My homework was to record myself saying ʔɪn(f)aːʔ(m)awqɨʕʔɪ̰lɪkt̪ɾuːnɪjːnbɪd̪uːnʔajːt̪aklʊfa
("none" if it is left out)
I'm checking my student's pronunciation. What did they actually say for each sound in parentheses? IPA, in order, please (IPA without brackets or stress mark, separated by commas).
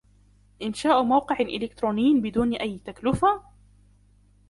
ʃ, m